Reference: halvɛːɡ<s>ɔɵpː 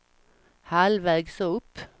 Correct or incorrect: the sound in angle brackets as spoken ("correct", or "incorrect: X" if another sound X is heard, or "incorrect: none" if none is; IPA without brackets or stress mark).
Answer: correct